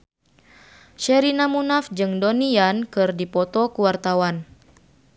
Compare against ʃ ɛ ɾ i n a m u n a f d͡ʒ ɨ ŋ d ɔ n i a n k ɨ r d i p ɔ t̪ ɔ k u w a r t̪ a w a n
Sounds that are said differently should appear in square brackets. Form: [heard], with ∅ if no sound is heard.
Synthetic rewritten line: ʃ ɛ ɾ i n a m u n a f d͡ʒ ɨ ŋ d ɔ n i a n k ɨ r d i p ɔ t̪ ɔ k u w a r t̪ a w a n